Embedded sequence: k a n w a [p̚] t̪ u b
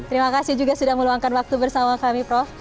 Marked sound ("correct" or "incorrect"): incorrect